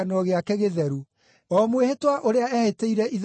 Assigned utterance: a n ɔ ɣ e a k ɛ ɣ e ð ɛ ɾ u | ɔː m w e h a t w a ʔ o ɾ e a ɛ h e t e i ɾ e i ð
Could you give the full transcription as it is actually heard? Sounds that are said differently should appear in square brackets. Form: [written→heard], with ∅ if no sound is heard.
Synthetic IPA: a n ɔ ɣ e a k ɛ ɣ e ð ɛ ɾ u | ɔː m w e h [a→e] t w a ʔ o ɾ e a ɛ h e t e i ɾ [e→ɛ] i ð